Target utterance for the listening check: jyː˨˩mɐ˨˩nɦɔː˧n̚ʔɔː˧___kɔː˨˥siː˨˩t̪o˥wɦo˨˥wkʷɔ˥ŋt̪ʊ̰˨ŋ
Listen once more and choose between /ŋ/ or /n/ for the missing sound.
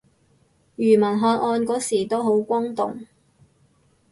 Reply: n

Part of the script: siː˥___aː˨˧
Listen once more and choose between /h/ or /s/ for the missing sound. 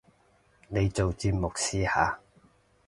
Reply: h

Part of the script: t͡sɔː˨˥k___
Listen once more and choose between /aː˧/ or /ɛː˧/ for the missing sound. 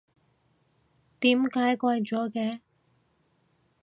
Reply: ɛː˧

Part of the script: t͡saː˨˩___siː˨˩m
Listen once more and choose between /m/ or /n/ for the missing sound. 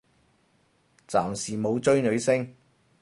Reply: m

